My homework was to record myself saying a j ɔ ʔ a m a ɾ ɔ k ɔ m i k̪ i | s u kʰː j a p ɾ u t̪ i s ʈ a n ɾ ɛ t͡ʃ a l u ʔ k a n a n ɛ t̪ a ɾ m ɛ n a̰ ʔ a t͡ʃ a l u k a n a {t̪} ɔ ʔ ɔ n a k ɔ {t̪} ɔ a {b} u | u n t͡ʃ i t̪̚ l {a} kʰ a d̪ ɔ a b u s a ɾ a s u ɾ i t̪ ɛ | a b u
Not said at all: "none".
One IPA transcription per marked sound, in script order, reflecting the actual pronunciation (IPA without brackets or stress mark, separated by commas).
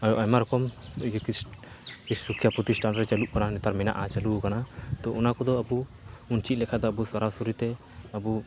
t̪, d̪, b, ɛ